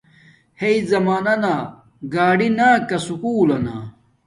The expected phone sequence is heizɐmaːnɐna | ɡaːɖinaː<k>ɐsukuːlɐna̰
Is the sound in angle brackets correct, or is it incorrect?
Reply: correct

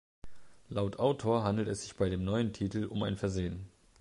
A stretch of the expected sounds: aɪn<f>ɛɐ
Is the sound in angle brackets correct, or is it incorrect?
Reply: correct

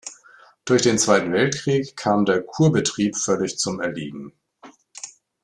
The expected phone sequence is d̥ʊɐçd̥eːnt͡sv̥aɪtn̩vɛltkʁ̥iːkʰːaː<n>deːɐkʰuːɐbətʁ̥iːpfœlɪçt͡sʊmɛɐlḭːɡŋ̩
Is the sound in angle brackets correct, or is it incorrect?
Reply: incorrect: m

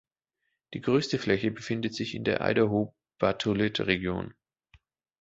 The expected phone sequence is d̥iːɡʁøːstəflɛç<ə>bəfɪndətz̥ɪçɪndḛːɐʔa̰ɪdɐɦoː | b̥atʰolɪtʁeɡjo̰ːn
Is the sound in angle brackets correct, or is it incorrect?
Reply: correct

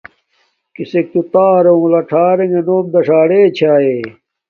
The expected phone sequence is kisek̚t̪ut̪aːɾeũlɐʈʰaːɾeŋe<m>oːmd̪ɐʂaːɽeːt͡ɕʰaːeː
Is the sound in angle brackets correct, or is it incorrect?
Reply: incorrect: n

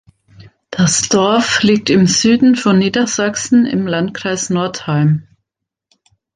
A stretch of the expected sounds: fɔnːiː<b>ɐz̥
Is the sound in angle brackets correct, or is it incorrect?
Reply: incorrect: d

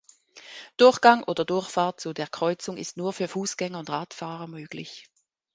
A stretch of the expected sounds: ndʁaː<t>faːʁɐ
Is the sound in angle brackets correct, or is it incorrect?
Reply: correct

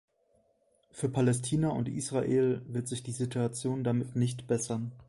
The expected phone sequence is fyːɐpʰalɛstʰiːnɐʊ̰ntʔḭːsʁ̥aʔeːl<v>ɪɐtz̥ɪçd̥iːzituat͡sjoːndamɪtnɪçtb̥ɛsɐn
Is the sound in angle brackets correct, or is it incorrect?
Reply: correct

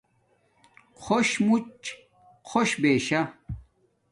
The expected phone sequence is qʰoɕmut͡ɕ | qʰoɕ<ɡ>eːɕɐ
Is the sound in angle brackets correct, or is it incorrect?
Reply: incorrect: b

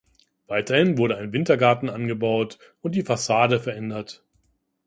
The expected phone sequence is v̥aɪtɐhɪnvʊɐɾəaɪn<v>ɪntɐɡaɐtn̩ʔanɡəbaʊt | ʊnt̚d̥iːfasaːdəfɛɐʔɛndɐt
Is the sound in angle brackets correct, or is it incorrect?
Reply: correct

